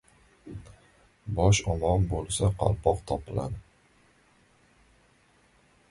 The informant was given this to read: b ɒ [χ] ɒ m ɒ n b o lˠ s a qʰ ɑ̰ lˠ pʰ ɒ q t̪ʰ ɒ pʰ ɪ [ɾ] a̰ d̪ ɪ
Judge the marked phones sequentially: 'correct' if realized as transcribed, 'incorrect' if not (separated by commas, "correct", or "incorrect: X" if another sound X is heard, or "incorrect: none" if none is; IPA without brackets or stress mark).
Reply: incorrect: ʃ, incorrect: l